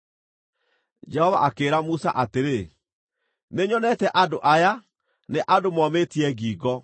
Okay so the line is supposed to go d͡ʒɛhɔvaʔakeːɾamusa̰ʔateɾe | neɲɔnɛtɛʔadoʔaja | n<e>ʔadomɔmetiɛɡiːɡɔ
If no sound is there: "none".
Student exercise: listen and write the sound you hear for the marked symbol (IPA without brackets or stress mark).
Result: e